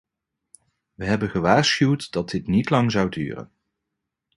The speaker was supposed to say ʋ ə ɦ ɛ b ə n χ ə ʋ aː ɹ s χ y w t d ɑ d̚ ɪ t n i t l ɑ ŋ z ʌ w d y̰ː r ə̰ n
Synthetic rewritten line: ʋ ə ɦ ɛ b ə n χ ə ʋ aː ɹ s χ y w t d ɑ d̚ ɪ t n i t l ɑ ŋ z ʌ w d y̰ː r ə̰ n